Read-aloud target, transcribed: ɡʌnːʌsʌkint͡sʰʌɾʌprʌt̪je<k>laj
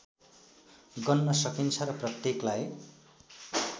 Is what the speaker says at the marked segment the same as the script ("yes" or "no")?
yes